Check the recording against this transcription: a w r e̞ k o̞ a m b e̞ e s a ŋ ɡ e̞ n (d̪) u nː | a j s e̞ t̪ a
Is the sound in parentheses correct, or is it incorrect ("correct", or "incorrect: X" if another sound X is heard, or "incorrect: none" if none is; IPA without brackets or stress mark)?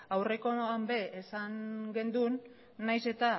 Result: correct